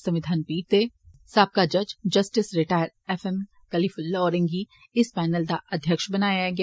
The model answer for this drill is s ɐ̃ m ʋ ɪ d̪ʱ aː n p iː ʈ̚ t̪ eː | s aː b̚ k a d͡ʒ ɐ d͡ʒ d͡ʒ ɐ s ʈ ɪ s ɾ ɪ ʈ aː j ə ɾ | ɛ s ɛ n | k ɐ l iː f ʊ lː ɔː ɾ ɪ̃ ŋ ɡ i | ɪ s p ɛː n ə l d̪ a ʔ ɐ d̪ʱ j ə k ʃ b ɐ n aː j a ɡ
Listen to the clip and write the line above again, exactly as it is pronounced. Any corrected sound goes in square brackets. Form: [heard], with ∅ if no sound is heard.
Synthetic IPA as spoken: s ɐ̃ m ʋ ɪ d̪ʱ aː n p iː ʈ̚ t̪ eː | s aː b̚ k a d͡ʒ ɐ d͡ʒ d͡ʒ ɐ s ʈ ɪ s ɾ ɪ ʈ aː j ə ɾ | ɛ [f] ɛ [m] | k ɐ l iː f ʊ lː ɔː ɾ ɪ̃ ŋ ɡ i | ɪ s p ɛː n ə l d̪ a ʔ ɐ d̪ʱ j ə k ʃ b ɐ n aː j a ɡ

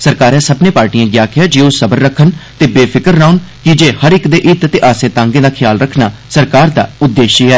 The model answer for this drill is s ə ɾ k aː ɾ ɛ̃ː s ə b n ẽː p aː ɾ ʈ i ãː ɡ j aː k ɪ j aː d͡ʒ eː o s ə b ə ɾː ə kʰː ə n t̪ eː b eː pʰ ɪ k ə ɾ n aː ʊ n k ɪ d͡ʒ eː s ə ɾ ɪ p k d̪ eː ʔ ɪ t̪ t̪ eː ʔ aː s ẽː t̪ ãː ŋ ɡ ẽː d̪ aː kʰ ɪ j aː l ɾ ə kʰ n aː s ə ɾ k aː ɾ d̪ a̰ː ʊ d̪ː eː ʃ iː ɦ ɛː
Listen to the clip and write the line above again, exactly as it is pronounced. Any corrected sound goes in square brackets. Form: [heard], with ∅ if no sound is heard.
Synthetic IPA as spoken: s ə ɾ k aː ɾ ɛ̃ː s ə b n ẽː p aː ɾ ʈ i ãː ɡ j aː k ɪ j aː d͡ʒ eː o s ə b ə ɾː ə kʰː ə n t̪ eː b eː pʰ ɪ k ə ɾ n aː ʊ n k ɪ d͡ʒ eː [h] ə ɾ ɪ [∅] k d̪ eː ʔ ɪ t̪ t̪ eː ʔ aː s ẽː t̪ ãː ŋ ɡ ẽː d̪ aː kʰ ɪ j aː l ɾ ə kʰ n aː s ə ɾ k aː ɾ d̪ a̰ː ʊ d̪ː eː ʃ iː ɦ ɛː

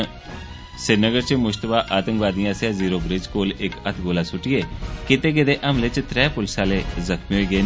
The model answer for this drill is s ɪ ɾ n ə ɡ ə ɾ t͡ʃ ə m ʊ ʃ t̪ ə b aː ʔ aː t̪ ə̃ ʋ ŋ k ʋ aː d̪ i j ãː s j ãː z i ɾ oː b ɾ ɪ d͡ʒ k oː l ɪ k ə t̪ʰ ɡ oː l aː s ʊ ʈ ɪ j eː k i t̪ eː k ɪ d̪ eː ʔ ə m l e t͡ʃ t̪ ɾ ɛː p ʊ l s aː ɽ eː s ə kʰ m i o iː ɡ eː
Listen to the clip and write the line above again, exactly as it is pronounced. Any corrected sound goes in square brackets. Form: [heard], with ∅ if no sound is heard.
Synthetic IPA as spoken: s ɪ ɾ n ə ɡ ə ɾ t͡ʃ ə m ʊ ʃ t̪ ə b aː ʔ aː t̪ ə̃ [∅] ŋ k ʋ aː d̪ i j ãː s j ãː z [iː] ɾ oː b ɾ ɪ d͡ʒ k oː l ɪ k ə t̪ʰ ɡ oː l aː s ʊ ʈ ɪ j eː k [ɪ] t̪ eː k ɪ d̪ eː ʔ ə m l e t͡ʃ t̪ ɾ ɛː p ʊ l s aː [l] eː [z] ə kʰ m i o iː ɡ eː

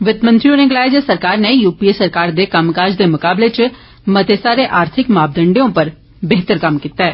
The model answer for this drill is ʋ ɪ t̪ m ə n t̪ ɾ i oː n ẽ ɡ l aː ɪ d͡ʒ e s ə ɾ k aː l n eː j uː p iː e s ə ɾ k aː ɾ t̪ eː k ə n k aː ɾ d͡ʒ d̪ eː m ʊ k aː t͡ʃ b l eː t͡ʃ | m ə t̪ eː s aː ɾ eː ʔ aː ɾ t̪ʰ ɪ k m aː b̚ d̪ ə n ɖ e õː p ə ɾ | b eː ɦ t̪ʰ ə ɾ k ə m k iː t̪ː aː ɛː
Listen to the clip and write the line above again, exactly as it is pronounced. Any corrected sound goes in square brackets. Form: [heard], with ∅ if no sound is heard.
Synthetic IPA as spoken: ʋ ɪ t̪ m ə n t̪ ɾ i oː n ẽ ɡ l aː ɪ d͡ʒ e s ə ɾ k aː [ɾ] n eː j uː p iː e s ə ɾ k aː ɾ [d̪] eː k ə [m] k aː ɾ d͡ʒ d̪ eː m ʊ k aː [∅] b l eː t͡ʃ | m ə t̪ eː s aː ɾ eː ʔ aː ɾ t̪ʰ ɪ k m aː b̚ d̪ ə [ɳ] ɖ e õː p ə ɾ | b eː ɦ [t̪] ə ɾ k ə m k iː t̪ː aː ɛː

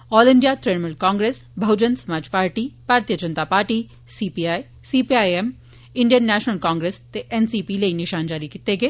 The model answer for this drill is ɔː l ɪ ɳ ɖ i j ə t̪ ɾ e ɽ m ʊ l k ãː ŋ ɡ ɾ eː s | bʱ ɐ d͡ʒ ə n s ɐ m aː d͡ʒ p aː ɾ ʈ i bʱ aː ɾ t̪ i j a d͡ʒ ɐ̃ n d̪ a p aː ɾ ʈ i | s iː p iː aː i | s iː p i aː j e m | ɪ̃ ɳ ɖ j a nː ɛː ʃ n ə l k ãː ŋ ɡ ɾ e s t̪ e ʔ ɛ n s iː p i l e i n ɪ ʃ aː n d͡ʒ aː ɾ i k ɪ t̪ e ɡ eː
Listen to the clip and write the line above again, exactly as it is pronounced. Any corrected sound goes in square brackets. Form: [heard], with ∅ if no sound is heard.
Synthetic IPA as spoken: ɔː l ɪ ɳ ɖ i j [a] t̪ ɾ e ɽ m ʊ l k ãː ŋ ɡ ɾ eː s | bʱ ɐ d͡ʒ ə n s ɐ m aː d͡ʒ p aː ɾ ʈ i bʱ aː ɾ t̪ i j [ə] d͡ʒ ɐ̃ n [t̪] a p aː ɾ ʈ i | s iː p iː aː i | s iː p i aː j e m | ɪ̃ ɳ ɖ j [ə] nː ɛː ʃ n ə l k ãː ŋ ɡ ɾ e s t̪ e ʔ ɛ n s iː p i l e i n ɪ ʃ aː n d͡ʒ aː ɾ i k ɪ t̪ e ɡ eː

